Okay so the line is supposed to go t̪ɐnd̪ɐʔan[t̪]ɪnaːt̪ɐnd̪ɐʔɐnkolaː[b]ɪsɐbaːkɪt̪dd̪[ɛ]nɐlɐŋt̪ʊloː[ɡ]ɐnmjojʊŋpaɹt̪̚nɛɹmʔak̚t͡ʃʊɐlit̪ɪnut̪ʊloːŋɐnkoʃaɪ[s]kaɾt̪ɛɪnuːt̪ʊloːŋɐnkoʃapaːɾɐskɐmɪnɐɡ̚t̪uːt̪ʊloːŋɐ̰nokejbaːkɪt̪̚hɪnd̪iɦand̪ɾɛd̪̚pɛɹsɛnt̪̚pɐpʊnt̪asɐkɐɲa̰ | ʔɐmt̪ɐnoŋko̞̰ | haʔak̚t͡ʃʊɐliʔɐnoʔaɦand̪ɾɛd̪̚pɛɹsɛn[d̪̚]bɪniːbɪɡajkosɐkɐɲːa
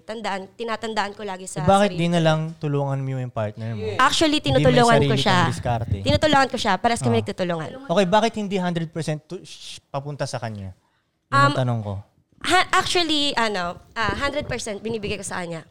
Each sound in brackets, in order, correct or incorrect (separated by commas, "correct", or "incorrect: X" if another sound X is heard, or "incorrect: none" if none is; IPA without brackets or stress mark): correct, incorrect: ɡ, incorrect: i, incorrect: ŋ, correct, incorrect: t̪̚